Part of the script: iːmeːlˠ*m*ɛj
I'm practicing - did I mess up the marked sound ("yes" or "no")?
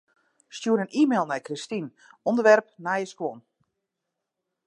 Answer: yes